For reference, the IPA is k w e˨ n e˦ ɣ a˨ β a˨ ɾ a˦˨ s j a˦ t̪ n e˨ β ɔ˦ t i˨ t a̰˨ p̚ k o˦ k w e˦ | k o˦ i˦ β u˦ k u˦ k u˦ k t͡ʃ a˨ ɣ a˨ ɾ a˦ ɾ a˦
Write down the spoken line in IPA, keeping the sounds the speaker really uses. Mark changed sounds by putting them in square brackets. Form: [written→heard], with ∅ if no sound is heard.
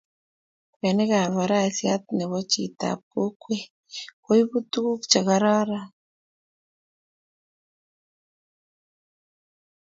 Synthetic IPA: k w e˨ n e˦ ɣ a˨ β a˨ ɾ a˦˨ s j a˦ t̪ n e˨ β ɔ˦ [t→t͡ʃ] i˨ t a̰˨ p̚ k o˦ k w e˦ | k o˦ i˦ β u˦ [k→t] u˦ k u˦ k t͡ʃ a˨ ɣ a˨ ɾ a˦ ɾ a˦